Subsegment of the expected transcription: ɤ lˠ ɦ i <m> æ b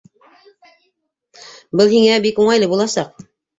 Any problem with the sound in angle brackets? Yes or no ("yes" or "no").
yes